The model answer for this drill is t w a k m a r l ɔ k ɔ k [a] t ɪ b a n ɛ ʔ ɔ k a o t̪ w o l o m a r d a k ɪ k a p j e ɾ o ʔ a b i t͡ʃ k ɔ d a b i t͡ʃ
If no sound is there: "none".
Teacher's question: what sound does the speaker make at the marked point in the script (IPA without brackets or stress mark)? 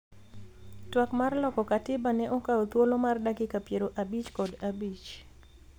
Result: a